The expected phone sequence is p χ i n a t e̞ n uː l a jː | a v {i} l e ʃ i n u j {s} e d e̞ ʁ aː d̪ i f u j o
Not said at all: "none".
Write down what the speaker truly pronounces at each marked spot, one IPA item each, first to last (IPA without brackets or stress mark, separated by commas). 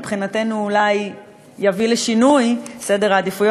i, s